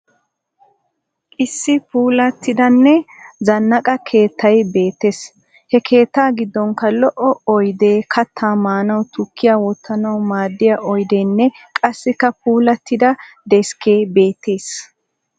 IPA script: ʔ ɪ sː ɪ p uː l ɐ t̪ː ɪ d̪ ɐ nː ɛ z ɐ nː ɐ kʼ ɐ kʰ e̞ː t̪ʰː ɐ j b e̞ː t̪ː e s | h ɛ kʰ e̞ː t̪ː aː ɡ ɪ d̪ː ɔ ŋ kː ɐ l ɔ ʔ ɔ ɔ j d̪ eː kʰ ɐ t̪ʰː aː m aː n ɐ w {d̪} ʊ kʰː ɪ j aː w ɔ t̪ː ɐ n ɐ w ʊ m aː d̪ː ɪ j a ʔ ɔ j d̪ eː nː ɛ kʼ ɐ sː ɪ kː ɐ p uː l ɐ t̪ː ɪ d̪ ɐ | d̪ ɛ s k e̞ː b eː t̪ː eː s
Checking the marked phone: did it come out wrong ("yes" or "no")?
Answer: yes